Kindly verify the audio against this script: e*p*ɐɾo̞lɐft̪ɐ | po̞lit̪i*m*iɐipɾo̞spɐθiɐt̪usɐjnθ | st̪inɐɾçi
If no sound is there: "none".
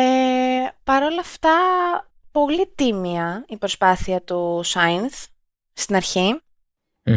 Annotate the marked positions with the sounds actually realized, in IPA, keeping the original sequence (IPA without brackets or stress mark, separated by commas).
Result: p, m